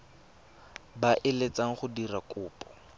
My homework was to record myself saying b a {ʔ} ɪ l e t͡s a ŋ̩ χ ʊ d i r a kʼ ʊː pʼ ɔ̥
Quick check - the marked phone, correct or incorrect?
correct